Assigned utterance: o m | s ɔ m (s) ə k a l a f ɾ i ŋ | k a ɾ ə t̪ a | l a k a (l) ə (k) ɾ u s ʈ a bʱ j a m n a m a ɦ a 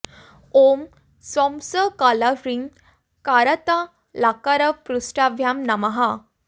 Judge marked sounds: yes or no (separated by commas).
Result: yes, no, no